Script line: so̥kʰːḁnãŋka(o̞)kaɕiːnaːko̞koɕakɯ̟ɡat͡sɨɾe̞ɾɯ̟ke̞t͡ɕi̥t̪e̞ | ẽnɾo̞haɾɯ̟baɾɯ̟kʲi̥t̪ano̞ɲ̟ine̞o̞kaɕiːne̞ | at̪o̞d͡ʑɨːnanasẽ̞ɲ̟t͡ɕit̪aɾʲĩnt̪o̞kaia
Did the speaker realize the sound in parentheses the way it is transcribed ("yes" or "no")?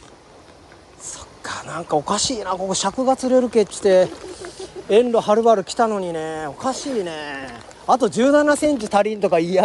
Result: yes